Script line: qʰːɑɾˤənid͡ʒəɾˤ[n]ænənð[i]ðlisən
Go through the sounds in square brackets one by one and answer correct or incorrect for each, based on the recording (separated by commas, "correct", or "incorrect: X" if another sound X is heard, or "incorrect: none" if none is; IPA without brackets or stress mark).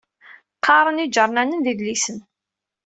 correct, correct